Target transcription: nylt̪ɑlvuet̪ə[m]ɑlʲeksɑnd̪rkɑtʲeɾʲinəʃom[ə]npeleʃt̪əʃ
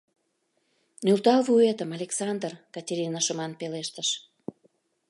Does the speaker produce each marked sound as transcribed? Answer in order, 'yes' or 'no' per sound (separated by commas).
yes, no